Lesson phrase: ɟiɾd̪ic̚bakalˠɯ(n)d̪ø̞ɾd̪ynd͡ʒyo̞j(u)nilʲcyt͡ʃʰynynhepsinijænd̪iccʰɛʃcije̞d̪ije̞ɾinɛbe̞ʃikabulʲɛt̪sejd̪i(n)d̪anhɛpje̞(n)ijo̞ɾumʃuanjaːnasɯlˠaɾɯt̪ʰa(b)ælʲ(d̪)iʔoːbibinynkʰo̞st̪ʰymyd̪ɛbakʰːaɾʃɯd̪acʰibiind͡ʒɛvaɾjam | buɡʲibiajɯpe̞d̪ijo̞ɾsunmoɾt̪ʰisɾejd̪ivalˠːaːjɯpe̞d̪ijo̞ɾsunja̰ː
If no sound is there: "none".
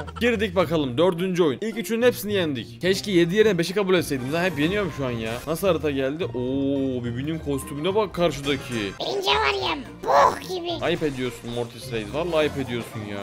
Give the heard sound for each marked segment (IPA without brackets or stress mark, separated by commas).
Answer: m, u, m, n, ɟ, d̪